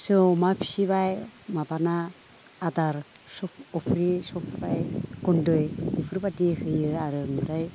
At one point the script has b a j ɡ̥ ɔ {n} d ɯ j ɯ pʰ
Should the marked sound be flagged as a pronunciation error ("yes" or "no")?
no